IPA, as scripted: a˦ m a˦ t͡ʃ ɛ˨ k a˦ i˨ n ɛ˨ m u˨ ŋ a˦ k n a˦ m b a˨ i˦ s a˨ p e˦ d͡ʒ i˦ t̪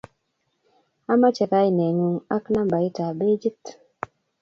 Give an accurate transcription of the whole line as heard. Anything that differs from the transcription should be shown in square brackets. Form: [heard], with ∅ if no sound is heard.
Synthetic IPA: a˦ m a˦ t͡ʃ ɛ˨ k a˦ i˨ n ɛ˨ [ŋ] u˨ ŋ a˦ k n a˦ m b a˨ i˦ [t] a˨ [b] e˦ d͡ʒ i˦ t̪